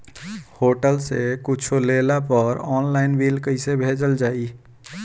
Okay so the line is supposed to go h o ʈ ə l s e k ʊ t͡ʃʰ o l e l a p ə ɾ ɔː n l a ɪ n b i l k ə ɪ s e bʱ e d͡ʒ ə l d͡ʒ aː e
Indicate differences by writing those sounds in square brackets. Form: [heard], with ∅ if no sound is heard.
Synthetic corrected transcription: h o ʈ ə l s e k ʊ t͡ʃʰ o l e l a p ə ɾ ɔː n l a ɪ n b i l k ə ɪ s e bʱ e d͡ʒ ə l d͡ʒ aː [i]